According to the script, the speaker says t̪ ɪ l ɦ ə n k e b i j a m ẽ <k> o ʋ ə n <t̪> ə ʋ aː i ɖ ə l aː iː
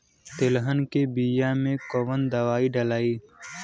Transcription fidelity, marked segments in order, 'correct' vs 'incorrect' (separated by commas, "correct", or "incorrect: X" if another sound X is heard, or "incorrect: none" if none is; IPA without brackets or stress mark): correct, incorrect: d̪